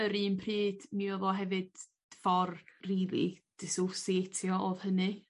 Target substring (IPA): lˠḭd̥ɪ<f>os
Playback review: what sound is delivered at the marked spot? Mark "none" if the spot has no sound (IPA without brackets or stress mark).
s